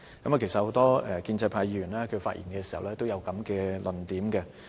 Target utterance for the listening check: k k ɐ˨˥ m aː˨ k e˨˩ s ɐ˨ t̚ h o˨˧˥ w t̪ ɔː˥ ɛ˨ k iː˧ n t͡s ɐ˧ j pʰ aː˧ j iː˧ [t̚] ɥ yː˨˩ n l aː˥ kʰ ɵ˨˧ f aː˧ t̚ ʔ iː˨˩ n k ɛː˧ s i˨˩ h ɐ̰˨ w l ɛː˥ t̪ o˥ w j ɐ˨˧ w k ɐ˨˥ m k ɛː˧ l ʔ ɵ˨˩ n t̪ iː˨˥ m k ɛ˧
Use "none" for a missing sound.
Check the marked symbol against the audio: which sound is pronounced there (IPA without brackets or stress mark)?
none